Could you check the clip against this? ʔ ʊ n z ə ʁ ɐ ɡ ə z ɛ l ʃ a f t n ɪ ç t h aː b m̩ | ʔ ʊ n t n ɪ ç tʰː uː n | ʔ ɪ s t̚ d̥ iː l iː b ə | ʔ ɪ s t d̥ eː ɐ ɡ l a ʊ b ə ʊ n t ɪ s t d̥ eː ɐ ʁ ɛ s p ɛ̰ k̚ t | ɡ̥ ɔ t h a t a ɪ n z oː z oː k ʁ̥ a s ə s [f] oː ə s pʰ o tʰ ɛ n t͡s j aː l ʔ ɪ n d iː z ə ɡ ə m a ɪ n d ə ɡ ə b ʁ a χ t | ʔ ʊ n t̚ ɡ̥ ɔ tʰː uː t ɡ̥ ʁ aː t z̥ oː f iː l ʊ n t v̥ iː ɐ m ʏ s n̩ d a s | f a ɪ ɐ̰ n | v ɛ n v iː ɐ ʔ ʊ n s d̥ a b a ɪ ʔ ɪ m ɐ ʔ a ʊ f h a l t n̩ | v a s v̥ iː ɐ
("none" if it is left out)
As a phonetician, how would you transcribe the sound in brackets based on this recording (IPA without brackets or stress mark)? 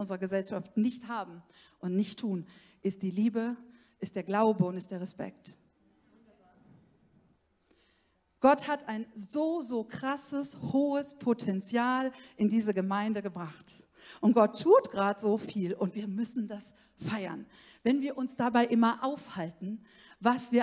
h